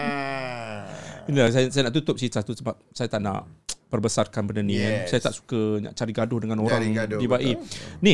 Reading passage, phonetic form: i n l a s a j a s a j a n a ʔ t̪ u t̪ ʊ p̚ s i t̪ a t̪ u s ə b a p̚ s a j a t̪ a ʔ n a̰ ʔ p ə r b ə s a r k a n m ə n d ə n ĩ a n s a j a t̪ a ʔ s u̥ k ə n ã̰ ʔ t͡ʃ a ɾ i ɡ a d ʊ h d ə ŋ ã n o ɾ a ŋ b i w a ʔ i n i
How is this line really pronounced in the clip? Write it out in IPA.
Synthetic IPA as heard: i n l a s a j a s a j a n a ʔ t̪ u t̪ ʊ p̚ s i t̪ a t̪ u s ə b a p̚ s a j a t̪ a ʔ n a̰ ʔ p ə r b ə s a r k a n b ə n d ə n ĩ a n s a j a t̪ a ʔ s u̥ k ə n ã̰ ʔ t͡ʃ a ɾ i ɡ a d ʊ h d ə ŋ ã n o ɾ a ŋ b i b a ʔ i n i